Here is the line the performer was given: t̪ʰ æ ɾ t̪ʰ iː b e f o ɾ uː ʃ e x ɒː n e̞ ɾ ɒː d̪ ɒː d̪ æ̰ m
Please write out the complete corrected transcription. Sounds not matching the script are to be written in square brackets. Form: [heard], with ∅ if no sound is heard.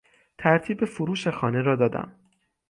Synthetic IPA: t̪ʰ æ ɾ t̪ʰ iː b e f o ɾ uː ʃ e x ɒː n e̞ ɾ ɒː d̪ ɒː d̪ æ̰ m